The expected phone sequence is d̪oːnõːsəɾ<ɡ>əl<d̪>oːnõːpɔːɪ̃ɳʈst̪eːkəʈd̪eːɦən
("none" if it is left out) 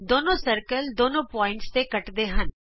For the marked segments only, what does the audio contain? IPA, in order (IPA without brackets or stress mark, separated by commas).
k, d̪